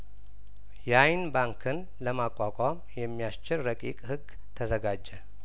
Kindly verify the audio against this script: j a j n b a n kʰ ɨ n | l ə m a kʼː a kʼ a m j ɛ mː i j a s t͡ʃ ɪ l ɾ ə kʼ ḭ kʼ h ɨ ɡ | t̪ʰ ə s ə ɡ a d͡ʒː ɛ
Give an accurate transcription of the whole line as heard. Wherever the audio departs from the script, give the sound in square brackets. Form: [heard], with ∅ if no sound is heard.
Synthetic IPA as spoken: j a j n b a [ŋ] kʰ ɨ n | l ə m a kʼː a kʼ a m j ɛ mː i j a s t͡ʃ ɪ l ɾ ə kʼ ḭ kʼ h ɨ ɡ | t̪ʰ ə [z] ə ɡ a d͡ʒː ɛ